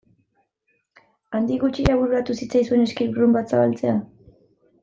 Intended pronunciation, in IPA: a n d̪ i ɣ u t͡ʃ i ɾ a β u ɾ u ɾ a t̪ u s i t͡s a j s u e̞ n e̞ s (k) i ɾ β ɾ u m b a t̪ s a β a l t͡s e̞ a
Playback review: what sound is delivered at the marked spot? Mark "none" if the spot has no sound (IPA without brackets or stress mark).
k